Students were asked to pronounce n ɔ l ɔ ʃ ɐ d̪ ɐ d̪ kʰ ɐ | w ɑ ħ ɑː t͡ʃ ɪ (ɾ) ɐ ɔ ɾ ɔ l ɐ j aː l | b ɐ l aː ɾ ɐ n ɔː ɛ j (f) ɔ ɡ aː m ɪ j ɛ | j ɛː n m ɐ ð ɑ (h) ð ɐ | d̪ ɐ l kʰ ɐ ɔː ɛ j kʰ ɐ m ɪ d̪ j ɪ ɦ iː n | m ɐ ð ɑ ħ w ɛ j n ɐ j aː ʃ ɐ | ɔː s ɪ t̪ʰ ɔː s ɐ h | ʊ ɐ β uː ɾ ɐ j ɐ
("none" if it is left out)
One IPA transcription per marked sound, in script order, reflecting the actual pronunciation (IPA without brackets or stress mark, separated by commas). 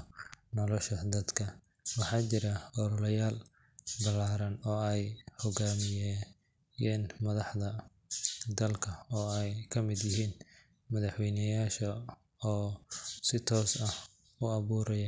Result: ɾ, h, ħ